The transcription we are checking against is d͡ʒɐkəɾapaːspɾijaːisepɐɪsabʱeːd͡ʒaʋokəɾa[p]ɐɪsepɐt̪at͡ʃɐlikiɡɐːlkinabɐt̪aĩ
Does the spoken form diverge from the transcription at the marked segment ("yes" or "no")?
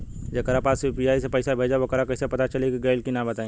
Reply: yes